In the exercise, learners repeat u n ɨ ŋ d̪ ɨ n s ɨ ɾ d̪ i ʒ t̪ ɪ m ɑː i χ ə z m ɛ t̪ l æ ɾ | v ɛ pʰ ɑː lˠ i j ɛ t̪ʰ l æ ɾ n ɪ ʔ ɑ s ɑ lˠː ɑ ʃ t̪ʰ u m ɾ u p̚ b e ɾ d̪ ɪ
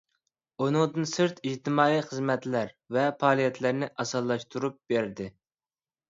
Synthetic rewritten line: u n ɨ ŋ d̪ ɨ n s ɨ ɾ t̪ i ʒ t̪ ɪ m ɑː i χ ə z m ɛ t̪ l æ ɾ | v ɛ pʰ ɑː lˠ i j ɛ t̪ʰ l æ ɾ n ɪ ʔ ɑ s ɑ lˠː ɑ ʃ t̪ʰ u ɾ u p̚ b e ɾ d̪ ɪ